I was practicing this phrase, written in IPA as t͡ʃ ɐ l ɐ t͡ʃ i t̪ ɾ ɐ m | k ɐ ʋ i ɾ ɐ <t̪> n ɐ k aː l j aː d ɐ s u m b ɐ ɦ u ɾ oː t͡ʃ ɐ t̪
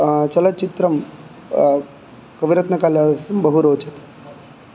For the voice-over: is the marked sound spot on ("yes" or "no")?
yes